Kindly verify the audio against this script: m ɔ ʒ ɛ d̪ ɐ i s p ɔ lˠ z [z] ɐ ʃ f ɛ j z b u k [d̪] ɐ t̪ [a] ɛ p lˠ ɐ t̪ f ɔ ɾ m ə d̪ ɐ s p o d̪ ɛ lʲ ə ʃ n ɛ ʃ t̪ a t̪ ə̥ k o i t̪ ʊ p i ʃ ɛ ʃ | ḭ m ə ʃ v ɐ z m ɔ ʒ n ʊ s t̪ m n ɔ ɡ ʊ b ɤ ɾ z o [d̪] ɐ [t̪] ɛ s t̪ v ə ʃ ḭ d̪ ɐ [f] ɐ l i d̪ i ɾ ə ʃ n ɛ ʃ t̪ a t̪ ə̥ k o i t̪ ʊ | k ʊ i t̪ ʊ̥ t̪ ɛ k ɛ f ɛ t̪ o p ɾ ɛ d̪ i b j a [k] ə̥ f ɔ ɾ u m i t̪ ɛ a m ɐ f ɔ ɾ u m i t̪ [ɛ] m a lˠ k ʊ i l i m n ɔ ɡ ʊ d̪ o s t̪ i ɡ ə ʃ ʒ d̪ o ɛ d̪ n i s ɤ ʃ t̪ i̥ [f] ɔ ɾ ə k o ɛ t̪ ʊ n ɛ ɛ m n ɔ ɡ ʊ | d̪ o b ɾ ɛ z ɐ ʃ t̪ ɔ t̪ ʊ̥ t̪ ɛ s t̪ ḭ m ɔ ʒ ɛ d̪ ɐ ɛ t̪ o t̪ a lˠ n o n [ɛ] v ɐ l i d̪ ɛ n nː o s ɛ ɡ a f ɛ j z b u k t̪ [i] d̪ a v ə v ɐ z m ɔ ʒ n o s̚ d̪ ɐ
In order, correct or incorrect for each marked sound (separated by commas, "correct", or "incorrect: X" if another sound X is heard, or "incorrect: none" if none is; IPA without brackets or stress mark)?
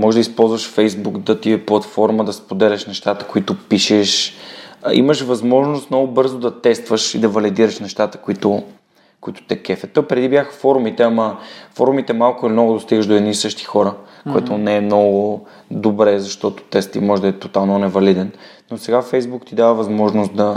incorrect: v, correct, incorrect: i, correct, correct, incorrect: v, incorrect: x, correct, incorrect: x, correct, correct